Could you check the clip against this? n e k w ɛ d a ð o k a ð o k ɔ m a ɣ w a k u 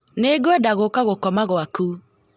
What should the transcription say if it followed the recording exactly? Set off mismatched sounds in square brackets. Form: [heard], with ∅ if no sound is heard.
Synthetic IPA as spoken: n e [ɡ] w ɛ d a [ɣ] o k a [ɣ] o k ɔ m a ɣ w a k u